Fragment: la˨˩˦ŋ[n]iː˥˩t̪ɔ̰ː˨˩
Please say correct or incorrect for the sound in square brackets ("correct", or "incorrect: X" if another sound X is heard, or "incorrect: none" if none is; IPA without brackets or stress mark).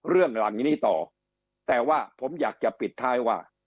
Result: correct